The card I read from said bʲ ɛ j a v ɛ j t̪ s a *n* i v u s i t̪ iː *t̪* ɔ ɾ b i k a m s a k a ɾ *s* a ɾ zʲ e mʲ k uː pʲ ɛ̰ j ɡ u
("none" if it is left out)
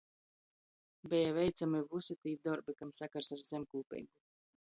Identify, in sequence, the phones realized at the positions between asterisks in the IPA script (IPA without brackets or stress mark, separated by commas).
m, d̪, s